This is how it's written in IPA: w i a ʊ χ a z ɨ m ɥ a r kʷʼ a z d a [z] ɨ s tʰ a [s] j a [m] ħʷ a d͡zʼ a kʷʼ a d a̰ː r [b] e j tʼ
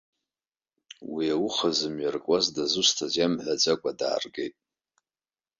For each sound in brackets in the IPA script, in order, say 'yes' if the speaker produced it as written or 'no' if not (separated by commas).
yes, no, yes, no